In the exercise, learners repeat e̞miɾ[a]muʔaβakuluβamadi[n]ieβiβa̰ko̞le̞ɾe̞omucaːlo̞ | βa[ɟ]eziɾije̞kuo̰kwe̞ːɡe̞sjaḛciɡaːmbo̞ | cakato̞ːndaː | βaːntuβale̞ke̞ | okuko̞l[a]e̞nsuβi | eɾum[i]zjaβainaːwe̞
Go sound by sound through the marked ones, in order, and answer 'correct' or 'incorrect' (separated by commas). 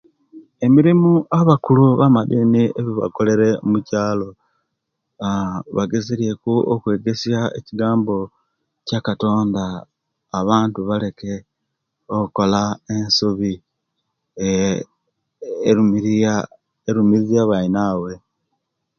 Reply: incorrect, correct, incorrect, correct, correct